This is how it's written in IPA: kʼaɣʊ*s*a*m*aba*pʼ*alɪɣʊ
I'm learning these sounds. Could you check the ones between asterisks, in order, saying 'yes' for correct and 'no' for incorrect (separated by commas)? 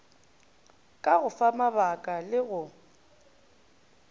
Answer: no, yes, no